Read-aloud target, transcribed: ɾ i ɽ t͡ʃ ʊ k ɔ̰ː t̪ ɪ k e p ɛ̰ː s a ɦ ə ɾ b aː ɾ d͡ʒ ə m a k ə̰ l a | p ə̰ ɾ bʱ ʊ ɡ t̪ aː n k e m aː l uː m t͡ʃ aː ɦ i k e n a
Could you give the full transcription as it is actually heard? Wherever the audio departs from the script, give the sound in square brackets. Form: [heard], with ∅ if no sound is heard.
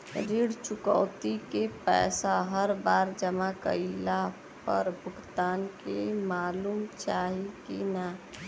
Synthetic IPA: ɾ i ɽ t͡ʃ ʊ k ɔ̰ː t̪ [i] k e p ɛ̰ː s a ɦ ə ɾ b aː ɾ d͡ʒ ə m a k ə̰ l a | p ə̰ ɾ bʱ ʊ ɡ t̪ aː n k e m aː l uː m t͡ʃ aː ɦ i k [i] n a